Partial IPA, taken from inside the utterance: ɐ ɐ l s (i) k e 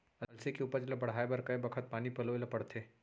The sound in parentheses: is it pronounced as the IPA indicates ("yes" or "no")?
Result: no